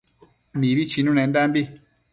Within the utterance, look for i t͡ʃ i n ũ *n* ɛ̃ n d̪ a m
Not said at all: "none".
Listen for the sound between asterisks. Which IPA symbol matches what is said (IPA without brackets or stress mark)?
n